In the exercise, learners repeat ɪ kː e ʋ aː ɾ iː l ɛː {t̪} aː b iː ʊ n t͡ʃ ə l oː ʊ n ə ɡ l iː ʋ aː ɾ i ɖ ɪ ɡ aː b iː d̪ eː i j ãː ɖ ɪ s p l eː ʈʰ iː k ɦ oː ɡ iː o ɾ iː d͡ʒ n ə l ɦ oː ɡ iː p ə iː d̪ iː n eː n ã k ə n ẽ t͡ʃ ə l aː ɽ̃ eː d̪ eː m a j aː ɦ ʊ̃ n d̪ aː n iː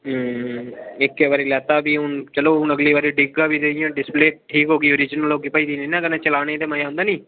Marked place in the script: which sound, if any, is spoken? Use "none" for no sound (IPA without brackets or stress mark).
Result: t̪